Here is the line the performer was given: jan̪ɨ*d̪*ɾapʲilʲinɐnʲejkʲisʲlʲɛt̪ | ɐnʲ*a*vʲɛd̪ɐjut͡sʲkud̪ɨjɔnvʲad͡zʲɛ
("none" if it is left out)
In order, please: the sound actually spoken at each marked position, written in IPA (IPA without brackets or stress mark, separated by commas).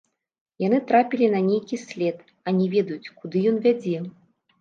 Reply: t̪, ɛ